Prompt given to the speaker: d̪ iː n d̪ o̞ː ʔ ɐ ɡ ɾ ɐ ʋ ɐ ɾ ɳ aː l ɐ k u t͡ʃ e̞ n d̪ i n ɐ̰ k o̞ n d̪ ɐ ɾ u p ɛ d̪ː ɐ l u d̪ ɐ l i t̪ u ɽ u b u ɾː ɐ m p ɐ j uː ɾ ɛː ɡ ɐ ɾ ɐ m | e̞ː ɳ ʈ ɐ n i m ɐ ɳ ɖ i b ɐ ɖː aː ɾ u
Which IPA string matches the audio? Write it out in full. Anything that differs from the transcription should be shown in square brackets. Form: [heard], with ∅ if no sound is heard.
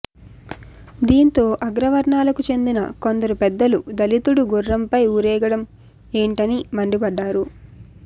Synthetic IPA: d̪ iː n [t̪] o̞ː ʔ ɐ ɡ ɾ ɐ ʋ ɐ ɾ ɳ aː l ɐ k u t͡ʃ e̞ n d̪ i n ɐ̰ k o̞ n d̪ ɐ ɾ u p ɛ d̪ː ɐ l u d̪ ɐ l i t̪ u ɽ u [ɡ] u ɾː ɐ m p ɐ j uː ɾ ɛː ɡ ɐ [ɽ] ɐ m | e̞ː ɳ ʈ ɐ n i m ɐ ɳ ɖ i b ɐ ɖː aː ɾ u